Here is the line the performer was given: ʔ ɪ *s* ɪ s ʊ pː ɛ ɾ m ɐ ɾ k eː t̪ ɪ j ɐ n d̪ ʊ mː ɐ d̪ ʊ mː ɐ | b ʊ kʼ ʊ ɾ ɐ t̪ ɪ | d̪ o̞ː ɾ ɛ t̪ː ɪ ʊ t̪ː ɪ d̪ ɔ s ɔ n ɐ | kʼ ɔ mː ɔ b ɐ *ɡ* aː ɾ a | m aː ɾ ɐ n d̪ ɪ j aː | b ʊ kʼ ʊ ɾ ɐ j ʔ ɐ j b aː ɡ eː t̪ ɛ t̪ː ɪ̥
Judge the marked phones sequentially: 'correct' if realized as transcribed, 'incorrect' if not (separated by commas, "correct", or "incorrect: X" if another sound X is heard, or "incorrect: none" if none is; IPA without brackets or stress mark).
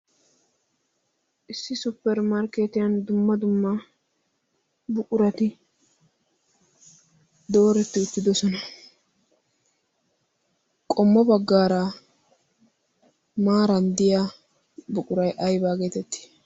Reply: incorrect: sː, incorrect: ɡː